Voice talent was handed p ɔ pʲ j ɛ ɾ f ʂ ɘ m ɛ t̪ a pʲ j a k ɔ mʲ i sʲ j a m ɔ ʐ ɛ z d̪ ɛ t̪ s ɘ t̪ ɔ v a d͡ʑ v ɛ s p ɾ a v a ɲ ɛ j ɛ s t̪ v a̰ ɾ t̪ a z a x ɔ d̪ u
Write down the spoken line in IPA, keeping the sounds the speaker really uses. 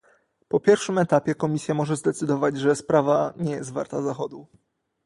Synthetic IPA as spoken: p ɔ pʲ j ɛ ɾ f ʂ ɘ m ɛ t̪ a pʲ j ɛ k ɔ mʲ i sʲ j a m ɔ ʐ ɛ z d̪ ɛ t̪ s ɘ d̪ ɔ v a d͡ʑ ʐ ɛ s p ɾ a v a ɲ ɛ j ɛ s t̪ v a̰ ɾ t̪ a z a x ɔ d̪ u